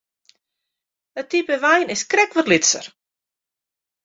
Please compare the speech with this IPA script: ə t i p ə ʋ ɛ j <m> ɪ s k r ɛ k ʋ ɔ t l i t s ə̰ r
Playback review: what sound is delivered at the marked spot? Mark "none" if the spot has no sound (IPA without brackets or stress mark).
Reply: n